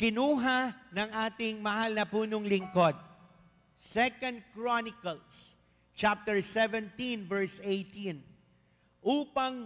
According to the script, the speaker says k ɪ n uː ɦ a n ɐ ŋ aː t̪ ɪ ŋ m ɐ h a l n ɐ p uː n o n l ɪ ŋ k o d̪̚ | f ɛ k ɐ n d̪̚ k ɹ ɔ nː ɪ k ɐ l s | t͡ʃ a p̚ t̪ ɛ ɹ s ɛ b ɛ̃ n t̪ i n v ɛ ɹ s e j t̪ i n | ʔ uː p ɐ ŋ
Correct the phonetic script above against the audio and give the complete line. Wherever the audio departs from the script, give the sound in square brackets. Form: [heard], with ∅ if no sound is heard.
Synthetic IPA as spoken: k ɪ n uː ɦ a n ɐ ŋ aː t̪ ɪ ŋ m ɐ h a l n ɐ p uː n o [ŋ] l ɪ ŋ k o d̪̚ | [s] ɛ k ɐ n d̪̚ k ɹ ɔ [n] ɪ k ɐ l s | t͡ʃ a p̚ t̪ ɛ ɹ s ɛ [v] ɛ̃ n t̪ i n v ɛ ɹ s e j t̪ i n | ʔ uː p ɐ ŋ